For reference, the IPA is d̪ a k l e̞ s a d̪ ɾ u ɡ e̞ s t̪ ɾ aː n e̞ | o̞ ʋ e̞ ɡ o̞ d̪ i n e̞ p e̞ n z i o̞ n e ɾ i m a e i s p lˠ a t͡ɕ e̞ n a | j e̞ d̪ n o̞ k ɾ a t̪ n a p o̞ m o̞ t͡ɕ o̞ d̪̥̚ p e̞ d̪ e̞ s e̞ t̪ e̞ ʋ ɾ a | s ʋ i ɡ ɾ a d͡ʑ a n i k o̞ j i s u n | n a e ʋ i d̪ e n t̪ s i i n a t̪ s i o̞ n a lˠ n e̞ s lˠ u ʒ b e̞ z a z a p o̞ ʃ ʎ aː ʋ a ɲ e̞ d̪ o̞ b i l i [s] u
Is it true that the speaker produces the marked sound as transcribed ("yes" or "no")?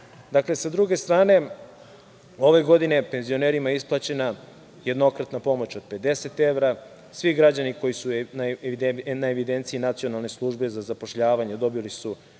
yes